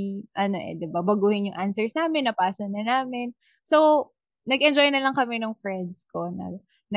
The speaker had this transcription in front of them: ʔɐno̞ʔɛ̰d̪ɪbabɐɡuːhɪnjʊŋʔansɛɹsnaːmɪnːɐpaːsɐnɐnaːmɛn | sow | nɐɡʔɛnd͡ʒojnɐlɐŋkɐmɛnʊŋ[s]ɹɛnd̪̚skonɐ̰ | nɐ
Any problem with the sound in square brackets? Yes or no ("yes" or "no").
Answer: yes